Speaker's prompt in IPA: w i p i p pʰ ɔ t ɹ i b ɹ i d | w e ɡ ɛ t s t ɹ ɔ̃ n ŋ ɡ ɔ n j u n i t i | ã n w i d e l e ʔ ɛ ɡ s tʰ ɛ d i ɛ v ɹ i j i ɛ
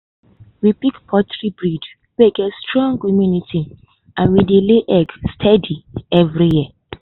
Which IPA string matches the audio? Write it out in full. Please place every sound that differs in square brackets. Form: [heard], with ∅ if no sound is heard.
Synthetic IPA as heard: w i p i [k] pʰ ɔ t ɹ i b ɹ i d | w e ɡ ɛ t s t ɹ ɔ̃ [∅] ŋ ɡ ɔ [m] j u n i t i | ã n w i d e l e ʔ ɛ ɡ s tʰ ɛ d i ɛ v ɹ i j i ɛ